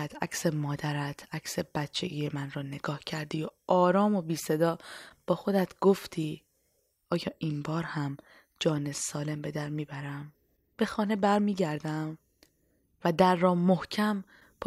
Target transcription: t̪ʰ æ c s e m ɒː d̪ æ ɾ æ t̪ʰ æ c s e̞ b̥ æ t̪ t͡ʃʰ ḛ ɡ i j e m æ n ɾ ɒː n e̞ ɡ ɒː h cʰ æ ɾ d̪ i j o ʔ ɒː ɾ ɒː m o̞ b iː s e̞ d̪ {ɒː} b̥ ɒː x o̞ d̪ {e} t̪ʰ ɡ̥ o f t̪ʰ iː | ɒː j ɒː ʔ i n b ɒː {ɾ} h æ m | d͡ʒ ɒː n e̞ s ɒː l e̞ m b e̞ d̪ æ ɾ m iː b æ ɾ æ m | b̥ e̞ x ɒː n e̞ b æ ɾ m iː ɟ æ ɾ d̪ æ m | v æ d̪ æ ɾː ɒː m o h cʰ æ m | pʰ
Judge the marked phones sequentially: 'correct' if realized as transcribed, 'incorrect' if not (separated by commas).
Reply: correct, incorrect, correct